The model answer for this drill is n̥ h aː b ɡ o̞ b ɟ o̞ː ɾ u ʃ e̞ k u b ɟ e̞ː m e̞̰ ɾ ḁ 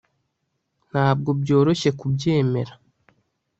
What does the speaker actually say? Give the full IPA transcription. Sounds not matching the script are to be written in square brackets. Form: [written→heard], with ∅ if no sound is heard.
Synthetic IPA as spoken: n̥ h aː b ɡ o̞ b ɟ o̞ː ɾ [u→o] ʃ e̞ k u b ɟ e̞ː m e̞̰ ɾ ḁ